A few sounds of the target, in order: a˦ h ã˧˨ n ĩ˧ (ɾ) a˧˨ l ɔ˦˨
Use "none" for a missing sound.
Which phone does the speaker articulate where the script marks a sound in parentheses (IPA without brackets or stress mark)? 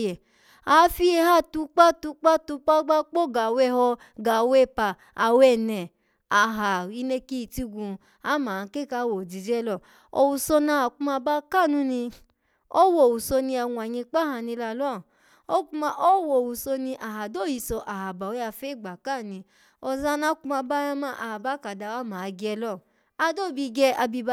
l